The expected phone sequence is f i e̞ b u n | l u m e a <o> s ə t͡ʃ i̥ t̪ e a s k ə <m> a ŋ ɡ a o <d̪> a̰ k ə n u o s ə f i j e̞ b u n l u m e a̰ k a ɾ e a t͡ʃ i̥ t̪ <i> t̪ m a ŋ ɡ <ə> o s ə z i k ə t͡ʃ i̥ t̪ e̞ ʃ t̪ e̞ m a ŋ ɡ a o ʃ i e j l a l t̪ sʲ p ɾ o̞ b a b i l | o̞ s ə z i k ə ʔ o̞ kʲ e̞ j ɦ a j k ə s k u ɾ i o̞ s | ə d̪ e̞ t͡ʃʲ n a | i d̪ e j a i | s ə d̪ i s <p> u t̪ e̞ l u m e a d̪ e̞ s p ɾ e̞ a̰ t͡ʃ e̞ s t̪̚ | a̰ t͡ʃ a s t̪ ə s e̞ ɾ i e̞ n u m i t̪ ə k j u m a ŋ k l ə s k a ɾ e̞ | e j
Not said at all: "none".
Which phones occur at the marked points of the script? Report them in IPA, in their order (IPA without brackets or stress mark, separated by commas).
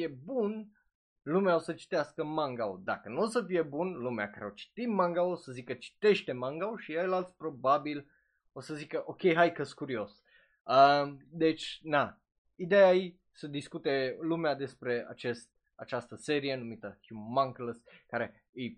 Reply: o, m, d̪, i, a, k